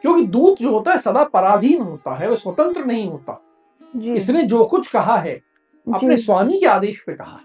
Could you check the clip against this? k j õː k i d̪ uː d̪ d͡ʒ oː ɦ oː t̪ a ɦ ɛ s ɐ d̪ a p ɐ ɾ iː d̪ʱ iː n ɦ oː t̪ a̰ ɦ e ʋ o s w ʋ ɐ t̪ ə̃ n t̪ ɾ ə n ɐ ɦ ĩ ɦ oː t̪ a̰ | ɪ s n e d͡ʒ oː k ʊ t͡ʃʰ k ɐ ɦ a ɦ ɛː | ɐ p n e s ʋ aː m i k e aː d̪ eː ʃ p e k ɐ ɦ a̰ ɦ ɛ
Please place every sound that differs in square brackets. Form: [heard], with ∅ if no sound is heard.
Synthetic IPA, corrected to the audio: k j õː k i d̪ uː d̪ d͡ʒ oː ɦ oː t̪ a ɦ ɛ s ɐ d̪ a p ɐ ɾ [aː] d̪ʱ iː n ɦ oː t̪ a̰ ɦ [ɛ] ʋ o s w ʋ ɐ t̪ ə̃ n t̪ ɾ ə n ɐ ɦ ĩ ɦ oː t̪ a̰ | ɪ s n e d͡ʒ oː k ʊ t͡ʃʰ k ɐ ɦ a ɦ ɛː | ɐ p n e s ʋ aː m i k e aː d̪ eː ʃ p e k ɐ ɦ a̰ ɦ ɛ